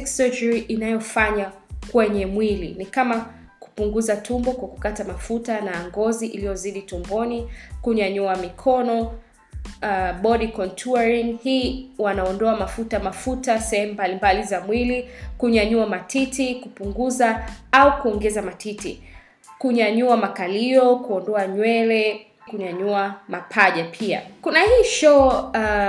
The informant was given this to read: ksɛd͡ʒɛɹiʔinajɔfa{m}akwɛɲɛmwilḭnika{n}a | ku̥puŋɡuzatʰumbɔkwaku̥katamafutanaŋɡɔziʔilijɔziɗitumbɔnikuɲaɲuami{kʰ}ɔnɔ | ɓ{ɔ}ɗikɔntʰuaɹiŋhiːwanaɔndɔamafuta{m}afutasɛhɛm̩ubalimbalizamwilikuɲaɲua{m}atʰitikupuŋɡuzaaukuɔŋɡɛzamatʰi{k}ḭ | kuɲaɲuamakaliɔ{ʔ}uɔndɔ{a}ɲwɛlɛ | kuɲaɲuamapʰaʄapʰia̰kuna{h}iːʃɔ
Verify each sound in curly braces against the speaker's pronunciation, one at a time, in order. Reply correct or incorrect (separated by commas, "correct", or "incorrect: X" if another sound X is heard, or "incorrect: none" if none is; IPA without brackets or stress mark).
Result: incorrect: ɲ, incorrect: m, correct, correct, correct, correct, incorrect: t, incorrect: k, correct, correct